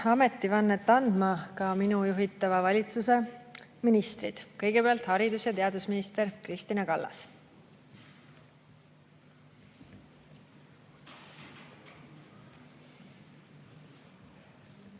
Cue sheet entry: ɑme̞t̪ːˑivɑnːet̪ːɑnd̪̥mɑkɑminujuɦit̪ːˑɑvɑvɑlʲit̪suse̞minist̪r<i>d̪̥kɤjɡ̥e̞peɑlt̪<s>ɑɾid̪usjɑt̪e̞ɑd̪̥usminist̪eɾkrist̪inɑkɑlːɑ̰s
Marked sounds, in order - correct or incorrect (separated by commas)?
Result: correct, incorrect